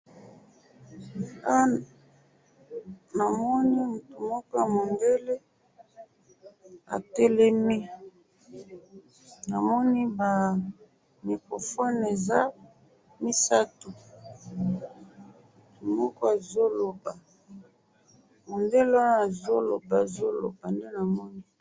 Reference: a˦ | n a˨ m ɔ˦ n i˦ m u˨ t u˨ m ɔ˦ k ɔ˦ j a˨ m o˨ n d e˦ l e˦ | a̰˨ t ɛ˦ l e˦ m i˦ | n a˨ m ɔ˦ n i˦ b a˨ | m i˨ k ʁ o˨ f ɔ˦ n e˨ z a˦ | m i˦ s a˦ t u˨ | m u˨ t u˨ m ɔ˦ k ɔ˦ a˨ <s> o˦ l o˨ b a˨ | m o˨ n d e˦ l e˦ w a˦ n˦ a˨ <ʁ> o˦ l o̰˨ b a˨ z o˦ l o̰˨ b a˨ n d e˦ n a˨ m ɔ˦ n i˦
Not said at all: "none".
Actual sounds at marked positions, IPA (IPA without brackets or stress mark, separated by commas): z, z